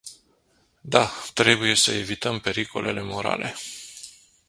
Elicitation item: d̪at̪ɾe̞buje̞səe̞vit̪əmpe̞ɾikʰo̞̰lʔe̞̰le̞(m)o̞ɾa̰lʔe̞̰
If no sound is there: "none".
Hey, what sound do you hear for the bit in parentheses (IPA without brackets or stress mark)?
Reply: m